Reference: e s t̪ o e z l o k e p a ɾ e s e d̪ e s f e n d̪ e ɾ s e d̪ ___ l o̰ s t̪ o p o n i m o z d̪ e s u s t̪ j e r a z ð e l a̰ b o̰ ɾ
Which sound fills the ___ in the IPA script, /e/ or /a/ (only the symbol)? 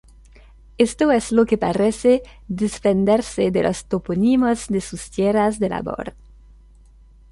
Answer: e